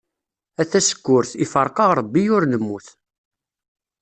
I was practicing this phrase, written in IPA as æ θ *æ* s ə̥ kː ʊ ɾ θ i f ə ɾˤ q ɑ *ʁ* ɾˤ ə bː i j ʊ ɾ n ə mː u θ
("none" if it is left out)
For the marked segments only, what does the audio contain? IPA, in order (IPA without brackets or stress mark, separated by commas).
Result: æ, ʁ